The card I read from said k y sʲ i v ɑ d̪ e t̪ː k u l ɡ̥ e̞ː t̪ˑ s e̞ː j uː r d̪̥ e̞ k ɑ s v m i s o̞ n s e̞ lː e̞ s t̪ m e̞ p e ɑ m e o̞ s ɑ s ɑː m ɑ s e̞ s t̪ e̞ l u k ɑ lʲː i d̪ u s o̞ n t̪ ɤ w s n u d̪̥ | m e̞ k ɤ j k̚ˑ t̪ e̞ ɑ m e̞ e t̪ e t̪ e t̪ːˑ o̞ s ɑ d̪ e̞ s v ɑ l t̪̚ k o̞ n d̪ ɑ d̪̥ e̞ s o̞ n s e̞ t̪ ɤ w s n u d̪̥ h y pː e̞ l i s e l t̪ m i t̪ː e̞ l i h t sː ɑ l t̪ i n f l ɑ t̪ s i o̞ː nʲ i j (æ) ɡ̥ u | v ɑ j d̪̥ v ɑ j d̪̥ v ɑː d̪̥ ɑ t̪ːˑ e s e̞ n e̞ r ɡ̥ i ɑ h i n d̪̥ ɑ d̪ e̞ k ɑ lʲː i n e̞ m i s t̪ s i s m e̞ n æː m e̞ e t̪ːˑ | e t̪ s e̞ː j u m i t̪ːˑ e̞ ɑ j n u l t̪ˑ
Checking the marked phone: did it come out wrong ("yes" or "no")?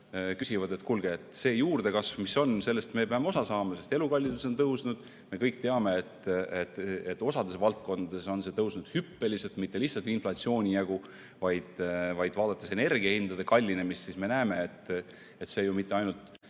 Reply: no